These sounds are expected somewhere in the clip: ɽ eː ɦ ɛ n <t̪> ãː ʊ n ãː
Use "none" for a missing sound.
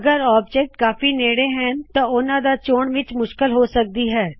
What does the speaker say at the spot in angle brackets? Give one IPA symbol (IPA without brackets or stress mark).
t̪